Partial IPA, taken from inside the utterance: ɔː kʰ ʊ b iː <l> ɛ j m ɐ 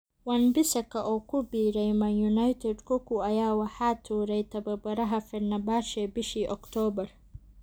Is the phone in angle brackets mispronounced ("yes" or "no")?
yes